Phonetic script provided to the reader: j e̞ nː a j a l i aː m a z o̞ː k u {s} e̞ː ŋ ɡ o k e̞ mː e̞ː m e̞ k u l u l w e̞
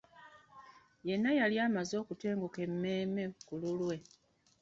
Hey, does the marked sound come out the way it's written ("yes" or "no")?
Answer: no